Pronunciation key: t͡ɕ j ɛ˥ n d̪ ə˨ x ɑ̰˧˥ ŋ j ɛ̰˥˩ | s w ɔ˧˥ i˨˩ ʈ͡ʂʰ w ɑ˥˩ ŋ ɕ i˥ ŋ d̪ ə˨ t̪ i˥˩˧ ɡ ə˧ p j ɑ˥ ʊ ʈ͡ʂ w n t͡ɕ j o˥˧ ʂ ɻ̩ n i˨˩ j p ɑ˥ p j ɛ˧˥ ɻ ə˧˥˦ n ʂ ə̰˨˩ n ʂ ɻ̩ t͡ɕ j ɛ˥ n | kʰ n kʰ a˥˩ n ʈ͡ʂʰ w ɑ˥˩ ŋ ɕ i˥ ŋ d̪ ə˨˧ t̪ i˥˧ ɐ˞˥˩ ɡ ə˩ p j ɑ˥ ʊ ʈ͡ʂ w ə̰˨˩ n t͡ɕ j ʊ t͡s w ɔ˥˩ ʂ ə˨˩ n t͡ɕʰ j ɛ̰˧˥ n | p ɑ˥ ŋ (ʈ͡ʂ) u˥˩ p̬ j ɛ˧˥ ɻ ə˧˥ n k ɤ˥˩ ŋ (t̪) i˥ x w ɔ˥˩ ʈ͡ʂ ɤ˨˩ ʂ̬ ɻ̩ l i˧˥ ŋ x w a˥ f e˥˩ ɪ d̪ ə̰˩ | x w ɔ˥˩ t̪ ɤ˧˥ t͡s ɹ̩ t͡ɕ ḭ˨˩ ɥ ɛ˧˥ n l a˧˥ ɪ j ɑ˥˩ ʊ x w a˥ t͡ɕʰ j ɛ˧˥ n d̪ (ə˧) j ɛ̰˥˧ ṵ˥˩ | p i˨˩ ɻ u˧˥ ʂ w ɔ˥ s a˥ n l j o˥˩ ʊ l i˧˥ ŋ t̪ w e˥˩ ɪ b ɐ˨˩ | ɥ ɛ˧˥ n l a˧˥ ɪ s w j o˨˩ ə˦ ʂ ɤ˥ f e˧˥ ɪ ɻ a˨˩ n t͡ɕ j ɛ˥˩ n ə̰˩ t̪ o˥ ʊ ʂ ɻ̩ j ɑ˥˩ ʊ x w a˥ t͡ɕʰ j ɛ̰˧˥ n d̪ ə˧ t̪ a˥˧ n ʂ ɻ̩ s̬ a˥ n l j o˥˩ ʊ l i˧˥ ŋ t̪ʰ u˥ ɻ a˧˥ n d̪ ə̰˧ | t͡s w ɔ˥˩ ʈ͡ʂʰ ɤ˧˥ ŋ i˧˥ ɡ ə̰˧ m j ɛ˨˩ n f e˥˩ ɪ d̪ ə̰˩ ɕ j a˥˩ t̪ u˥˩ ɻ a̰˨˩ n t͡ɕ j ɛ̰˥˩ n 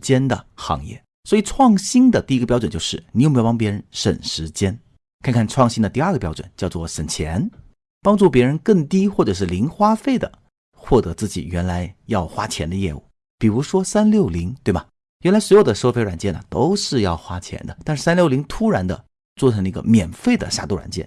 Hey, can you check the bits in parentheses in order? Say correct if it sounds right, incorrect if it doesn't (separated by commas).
correct, correct, correct